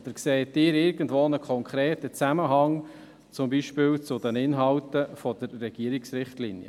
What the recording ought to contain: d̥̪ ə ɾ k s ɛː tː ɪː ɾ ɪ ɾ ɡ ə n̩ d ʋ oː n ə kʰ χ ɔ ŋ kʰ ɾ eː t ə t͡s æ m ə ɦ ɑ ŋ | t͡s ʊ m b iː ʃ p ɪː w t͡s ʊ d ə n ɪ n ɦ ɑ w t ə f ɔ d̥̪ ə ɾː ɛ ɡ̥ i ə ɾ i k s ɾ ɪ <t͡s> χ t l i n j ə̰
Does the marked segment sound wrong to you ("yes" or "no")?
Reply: yes